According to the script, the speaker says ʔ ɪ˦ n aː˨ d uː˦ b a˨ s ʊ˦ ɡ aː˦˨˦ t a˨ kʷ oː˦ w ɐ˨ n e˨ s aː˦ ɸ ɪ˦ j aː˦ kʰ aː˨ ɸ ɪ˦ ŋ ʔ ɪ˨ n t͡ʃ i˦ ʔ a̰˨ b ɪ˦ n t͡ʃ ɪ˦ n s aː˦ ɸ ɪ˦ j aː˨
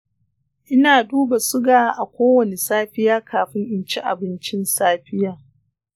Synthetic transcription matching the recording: ʔ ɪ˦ n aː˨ d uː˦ b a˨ s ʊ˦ ɡ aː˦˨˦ ʔ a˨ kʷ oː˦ w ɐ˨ n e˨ s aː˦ ɸ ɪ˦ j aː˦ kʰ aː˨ ɸ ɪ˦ ŋ ʔ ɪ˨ n t͡ʃ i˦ ʔ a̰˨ b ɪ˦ n t͡ʃ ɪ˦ n s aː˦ ɸ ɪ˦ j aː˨